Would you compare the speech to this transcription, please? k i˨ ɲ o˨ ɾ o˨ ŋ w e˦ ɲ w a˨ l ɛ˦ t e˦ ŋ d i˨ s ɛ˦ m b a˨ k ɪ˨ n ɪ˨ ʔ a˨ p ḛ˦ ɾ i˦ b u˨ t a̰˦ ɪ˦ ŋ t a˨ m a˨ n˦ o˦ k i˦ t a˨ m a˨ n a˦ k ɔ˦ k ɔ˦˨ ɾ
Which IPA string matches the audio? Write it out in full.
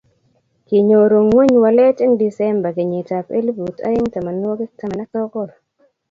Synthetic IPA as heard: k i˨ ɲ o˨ ɾ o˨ ŋ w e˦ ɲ w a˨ l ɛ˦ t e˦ ŋ d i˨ s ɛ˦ m b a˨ k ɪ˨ ɲ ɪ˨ t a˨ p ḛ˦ l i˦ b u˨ t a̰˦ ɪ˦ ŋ t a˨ m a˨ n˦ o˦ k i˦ t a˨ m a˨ n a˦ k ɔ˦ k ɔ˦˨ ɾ